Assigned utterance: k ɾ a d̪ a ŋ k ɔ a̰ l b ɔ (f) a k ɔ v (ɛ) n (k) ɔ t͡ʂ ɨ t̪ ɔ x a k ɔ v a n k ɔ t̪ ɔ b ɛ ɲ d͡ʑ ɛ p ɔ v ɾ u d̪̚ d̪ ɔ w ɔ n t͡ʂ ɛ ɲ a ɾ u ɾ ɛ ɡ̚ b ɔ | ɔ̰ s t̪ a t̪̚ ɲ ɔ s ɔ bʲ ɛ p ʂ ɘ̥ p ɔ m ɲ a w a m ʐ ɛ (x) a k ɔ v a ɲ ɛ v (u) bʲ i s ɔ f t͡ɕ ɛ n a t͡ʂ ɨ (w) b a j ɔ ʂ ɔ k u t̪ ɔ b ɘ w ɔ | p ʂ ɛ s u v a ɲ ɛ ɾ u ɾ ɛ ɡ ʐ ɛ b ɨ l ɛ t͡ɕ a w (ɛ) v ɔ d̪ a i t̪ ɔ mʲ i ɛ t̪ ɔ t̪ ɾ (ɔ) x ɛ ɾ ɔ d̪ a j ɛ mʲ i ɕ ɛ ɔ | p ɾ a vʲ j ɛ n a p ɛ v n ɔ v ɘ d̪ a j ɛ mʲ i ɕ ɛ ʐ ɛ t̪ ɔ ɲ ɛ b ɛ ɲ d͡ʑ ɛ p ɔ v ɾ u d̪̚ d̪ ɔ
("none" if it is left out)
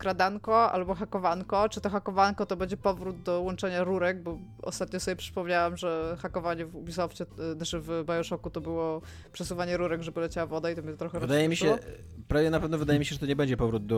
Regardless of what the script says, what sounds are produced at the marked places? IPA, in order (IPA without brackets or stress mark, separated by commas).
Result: x, a, k, x, u, v, a, ɔ